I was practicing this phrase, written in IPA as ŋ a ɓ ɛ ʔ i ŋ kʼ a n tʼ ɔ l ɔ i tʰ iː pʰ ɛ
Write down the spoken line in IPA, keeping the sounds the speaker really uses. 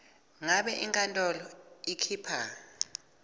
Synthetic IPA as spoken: ŋ a ɓ ɛ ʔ i ŋ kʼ a n tʼ ɔ l ɔ i kʰ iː pʰ a

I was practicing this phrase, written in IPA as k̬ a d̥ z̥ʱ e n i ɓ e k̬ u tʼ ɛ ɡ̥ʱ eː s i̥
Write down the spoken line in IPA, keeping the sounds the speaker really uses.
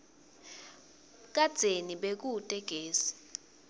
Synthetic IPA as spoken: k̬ a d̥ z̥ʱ e n i ɓ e k̬ u tʼ ɛ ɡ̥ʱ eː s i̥

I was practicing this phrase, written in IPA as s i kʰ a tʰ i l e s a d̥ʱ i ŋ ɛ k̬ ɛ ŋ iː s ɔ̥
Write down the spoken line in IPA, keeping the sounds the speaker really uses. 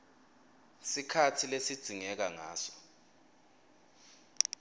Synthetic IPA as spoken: s i kʰ a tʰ i l e s i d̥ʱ i ŋ ɛ k̬ a ŋ aː s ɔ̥

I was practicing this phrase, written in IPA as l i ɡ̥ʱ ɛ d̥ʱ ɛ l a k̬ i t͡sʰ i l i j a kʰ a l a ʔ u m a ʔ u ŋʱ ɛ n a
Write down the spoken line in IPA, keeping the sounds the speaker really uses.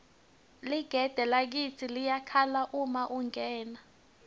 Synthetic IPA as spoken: l i ɡ̥ʱ ɛ d̥ʱ ɛ l a k̬ i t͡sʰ i l i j a kʰ a l a ʔ u m a ʔ u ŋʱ ɛː n a

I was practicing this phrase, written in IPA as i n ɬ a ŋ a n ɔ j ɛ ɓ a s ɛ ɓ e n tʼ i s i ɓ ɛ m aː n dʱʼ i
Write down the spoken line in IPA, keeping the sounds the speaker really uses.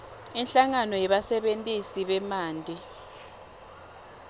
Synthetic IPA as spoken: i n ɬ a ŋ a n ɔ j ɛ ɓ a s ɛ ɓ e n tʼ i s i ɓ ɛ m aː n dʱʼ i

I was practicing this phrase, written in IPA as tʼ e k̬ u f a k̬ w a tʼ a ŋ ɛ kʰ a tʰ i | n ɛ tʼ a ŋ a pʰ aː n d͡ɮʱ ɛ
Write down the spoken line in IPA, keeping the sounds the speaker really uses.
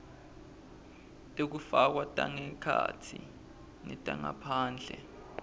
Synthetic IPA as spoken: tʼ e k̬ u f a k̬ w a tʼ a ŋ ɛ kʰ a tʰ i | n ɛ tʼ a ŋ a pʰ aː n d͡ɮʱ ɛ

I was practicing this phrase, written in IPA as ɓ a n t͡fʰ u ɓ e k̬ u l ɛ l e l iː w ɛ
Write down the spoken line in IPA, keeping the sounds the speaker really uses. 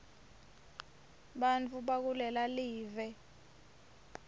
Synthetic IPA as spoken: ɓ a n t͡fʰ u ɓ a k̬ u l ɛ l a l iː v ɛ

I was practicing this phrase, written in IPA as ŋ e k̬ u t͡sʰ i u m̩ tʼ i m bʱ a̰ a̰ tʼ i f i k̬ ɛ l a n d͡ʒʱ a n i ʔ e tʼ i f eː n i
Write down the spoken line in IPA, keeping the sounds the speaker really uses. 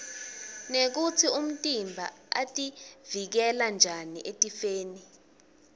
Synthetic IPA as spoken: n e k̬ u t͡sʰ i u m̩ tʼ i m bʱ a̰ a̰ tʼ i v i k̬ ɛ l a n d͡ʒʱ a n i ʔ e tʼ i f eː n i

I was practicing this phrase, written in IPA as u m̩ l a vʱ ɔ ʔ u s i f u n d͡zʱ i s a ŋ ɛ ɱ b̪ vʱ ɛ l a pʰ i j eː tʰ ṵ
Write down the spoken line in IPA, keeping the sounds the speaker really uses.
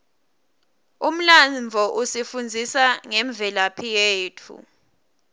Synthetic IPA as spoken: u m̩ l a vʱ ɔ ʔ u s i f u n d͡zʱ i s a ŋ ɛ ɱ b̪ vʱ ɛ l a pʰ i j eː tʰ ṵ

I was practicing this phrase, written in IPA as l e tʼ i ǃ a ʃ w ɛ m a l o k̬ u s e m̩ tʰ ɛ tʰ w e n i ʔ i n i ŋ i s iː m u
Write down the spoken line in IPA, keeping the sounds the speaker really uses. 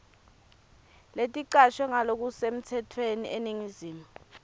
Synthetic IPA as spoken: l e tʼ i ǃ a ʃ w ɛ ŋ a l o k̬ u s e m̩ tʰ ɛ tʰ w e n i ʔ e n i ŋ i z iː m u

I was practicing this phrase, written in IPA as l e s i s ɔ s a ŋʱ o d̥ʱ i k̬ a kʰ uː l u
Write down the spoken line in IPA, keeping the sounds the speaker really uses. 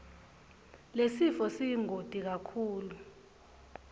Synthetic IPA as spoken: l e s i f ɔ s i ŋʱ o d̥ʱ i k̬ a kʰ uː l u

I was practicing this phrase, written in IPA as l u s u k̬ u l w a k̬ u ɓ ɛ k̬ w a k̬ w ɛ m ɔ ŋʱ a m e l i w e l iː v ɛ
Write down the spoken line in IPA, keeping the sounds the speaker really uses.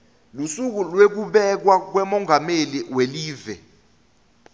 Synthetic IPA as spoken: l u s u k̬ u l w e k̬ u ɓ ɛ k̬ w a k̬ w ɛ m ɔ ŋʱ a m e l i w e l iː v ɛ

